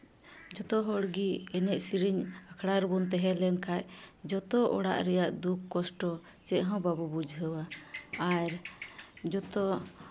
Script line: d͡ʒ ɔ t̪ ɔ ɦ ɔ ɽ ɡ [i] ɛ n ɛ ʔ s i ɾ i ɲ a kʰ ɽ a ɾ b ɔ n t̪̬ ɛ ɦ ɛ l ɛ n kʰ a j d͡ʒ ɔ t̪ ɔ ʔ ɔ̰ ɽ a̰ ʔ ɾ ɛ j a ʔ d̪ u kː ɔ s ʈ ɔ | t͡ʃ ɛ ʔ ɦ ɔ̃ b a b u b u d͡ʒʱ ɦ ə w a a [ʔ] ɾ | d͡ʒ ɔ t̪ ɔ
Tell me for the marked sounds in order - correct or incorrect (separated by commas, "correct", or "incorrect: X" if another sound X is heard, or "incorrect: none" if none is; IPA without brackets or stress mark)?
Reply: correct, incorrect: none